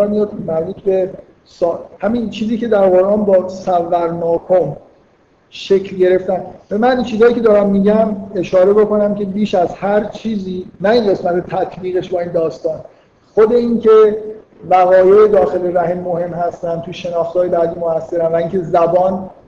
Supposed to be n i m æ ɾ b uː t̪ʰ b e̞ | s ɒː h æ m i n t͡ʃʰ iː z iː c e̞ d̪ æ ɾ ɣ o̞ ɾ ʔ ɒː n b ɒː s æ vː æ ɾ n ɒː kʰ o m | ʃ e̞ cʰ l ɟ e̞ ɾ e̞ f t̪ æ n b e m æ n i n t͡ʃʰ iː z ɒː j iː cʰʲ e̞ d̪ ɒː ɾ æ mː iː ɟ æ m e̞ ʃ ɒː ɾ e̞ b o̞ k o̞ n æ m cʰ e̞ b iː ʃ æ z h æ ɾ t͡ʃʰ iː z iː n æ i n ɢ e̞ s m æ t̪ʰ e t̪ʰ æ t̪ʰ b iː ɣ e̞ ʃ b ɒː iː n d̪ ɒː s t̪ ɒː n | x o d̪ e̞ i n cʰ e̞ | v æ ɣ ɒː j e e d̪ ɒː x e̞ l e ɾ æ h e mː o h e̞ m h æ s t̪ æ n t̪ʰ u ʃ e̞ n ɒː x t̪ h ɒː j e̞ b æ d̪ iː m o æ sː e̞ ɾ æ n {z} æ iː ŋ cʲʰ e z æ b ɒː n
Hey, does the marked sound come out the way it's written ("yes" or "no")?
no